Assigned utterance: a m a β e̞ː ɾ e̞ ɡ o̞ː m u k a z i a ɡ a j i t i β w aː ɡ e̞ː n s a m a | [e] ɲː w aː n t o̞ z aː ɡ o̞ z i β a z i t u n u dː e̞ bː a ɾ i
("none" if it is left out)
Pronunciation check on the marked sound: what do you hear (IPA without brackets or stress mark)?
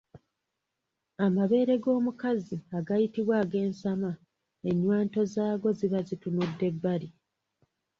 e